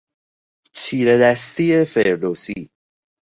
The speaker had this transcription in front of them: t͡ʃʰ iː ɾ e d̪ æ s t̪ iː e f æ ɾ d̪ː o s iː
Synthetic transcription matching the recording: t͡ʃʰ iː ɾ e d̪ æ s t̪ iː e f e ɾ d̪ o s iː